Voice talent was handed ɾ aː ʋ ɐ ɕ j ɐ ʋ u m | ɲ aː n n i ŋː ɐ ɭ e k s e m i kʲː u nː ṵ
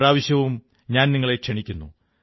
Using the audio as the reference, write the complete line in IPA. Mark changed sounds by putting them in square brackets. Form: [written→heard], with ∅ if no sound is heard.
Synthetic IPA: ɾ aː ʋ ɐ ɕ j ɐ ʋ u m | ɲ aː n n i ŋː ɐ ɭ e k [s→ʂ] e [m→ɳ] i kʲː u nː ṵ